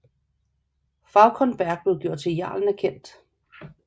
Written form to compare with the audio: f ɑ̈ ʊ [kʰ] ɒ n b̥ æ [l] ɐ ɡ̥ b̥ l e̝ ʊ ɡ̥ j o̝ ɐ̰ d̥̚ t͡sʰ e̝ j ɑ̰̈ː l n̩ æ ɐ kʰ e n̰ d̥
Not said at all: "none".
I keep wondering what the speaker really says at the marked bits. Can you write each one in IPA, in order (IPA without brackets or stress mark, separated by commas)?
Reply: kʰ, none